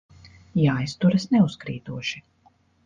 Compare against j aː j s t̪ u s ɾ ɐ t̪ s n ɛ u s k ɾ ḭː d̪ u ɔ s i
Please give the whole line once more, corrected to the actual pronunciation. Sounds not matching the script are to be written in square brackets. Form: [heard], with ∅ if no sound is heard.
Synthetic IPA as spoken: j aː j s t̪ u [∅] ɾ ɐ [∅] s n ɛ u s k ɾ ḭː [t̪] u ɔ [ʃ] i